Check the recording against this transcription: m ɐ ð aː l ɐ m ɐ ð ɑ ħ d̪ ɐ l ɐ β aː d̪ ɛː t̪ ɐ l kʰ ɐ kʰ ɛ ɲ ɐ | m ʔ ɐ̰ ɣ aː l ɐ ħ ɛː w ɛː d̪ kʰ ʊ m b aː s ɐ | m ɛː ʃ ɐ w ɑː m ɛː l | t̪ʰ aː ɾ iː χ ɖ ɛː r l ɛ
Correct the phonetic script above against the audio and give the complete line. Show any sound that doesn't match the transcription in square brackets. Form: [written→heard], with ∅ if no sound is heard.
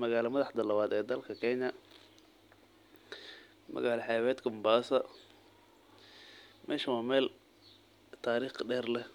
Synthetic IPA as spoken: m ɐ [ð→ɣ] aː l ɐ m ɐ ð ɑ ħ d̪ ɐ l ɐ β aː d̪ ɛː [t̪→d̪] ɐ l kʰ ɐ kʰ ɛ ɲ ɐ | m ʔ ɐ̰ ɣ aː l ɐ ħ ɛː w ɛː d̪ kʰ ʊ m b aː s ɐ | m ɛː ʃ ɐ w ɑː m ɛː l | t̪ʰ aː ɾ iː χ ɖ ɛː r l ɛ